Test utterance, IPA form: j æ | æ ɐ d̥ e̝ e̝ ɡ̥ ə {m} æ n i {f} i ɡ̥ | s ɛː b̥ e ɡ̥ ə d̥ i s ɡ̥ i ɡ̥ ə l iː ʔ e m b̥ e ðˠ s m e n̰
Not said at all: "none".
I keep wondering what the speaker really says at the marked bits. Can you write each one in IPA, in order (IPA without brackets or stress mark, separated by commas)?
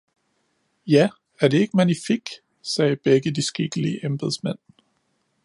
m, f